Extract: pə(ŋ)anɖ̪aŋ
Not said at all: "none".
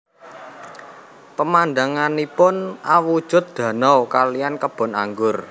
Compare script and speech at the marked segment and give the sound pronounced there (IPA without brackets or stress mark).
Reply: m